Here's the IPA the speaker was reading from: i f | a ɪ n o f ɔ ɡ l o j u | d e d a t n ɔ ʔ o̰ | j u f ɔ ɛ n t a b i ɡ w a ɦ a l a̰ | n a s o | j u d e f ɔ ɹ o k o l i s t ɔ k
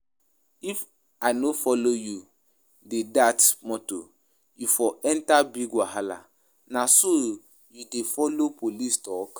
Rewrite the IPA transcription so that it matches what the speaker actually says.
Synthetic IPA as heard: i f | a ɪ n o f ɔ l o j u | d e d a t m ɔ t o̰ | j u f ɔ ɛ n t a b i ɡ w a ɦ a l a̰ | n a s o | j u d e f ɔ l o p o l i s t ɔ k